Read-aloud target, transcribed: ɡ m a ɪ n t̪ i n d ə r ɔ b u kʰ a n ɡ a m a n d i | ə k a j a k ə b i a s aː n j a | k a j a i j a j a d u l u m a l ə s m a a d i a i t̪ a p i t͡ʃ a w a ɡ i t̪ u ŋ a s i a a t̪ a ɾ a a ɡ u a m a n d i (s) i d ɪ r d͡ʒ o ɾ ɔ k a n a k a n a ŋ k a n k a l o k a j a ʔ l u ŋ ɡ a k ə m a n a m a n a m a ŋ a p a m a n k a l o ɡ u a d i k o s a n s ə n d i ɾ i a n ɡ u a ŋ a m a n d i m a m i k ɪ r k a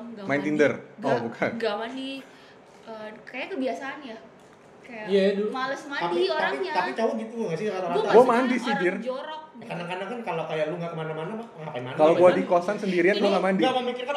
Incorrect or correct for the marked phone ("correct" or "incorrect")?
correct